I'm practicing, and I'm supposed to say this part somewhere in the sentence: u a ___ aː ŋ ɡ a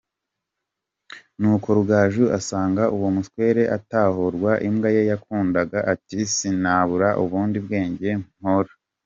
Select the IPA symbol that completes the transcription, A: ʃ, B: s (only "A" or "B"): B